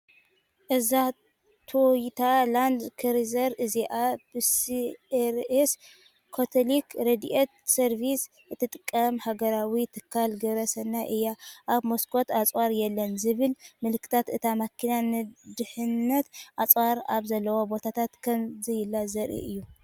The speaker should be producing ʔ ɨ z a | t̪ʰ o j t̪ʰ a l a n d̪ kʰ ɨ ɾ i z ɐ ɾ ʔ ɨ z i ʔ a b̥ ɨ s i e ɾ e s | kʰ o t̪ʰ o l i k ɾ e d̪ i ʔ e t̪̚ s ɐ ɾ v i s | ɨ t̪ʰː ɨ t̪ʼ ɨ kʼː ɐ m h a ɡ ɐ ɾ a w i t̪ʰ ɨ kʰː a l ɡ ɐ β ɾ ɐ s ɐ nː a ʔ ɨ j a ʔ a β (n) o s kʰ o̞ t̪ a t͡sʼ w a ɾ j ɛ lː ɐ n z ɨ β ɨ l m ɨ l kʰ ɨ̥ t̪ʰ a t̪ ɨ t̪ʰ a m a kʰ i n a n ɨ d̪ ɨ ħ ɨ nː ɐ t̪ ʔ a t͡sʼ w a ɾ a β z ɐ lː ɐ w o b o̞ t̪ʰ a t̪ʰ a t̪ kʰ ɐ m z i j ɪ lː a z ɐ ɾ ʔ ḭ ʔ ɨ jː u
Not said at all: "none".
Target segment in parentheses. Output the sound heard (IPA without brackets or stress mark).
m